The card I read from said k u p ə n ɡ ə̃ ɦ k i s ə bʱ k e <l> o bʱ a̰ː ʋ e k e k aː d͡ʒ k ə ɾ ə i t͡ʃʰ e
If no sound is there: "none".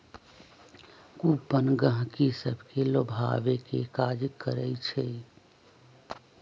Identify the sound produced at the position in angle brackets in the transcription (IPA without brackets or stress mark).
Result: l